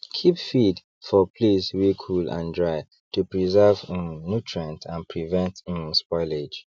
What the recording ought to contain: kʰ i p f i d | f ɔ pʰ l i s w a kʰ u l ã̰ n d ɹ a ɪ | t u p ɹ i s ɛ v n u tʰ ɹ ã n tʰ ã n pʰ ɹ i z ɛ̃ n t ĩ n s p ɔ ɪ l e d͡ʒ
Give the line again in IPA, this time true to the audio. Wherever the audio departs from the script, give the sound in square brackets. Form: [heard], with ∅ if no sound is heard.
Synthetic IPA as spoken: kʰ i p f i d | f ɔ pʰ l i s w [i] kʰ u l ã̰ n d ɹ a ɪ | t u p ɹ i [z] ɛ v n u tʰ ɹ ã n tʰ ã n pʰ ɹ i [v] ɛ̃ n t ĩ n s p ɔ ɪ l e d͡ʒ